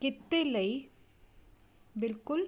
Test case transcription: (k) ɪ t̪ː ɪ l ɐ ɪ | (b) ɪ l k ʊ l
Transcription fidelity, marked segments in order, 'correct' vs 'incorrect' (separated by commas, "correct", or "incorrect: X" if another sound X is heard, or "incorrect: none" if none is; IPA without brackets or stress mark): correct, correct